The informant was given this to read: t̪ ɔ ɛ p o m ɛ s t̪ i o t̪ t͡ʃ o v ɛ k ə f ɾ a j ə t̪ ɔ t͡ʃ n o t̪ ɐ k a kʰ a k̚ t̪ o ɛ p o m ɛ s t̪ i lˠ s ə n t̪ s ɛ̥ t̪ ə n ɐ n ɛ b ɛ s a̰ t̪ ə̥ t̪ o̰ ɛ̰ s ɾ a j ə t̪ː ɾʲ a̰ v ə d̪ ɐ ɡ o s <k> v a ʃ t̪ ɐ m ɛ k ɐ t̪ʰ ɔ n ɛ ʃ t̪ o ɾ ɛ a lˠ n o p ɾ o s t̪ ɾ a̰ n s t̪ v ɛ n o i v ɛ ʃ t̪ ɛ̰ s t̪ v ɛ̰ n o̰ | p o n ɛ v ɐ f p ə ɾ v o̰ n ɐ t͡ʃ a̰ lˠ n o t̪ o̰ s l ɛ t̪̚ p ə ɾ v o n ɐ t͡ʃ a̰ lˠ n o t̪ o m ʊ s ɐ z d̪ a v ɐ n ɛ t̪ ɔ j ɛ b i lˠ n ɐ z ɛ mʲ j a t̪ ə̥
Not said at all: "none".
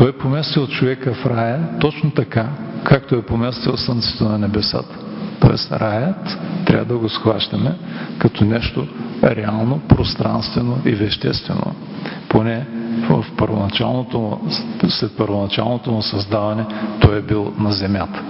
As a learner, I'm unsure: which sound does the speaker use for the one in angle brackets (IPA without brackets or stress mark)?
x